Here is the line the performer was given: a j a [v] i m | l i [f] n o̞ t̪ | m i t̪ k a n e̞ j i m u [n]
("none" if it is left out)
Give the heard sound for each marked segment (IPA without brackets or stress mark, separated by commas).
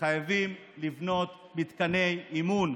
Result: v, v, n